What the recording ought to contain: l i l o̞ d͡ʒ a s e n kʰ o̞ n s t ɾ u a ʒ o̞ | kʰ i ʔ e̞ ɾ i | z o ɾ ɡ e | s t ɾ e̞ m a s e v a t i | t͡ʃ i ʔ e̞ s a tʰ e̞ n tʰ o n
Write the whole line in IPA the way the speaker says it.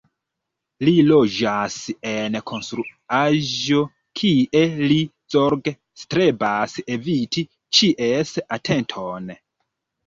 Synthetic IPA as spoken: l i l o̞ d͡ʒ a s e n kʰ o̞ n s t ɾ u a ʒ o̞ | kʰ i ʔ e̞ l i | z o ɾ ɡ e | s t ɾ e̞ b a s e v i t i | t͡ʃ i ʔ e̞ s a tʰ e̞ n tʰ o n